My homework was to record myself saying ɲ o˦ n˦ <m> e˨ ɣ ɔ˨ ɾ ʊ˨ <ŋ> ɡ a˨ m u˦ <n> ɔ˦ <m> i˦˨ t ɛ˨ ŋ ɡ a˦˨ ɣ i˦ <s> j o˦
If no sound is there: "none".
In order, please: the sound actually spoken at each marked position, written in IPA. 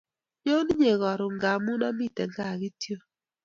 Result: ɲ, ŋ, n, m, t

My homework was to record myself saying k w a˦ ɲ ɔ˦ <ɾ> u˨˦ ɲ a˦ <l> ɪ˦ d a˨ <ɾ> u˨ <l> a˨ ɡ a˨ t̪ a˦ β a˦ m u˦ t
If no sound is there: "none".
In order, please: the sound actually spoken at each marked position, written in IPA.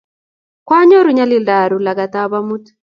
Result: ɾ, l, ɾ, l

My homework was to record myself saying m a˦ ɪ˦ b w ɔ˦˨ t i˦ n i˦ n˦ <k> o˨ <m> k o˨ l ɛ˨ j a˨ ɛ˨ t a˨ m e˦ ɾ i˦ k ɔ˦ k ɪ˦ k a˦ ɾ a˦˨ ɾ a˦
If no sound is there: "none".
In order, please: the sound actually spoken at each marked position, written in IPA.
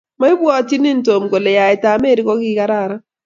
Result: t, m

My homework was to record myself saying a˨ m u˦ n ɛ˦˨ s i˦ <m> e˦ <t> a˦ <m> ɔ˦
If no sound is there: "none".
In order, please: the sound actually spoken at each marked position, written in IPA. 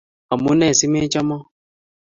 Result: m, t͡ʃ, m

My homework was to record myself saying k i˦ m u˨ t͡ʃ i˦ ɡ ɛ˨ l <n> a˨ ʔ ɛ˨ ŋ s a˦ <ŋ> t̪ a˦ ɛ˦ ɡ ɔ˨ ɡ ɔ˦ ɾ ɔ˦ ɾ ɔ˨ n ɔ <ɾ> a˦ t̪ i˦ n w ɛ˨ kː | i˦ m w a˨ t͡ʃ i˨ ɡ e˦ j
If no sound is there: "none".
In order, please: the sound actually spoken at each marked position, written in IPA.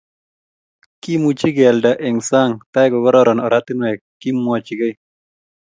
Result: d, ŋ, ɾ

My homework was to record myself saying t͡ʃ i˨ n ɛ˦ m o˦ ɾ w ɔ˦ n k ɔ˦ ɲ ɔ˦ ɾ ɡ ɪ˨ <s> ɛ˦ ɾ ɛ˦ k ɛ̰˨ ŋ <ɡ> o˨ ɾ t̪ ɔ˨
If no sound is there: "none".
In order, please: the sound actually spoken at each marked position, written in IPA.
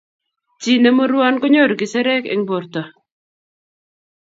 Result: s, b

